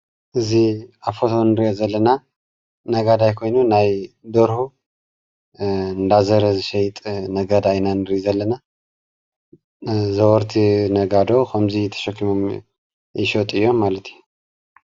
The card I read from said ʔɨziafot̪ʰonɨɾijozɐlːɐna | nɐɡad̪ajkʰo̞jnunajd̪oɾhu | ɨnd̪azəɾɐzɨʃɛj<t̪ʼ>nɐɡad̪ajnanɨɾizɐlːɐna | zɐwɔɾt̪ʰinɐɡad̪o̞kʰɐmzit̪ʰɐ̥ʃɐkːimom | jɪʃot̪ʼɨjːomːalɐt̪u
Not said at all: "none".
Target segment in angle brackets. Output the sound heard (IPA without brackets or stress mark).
t̪ʼ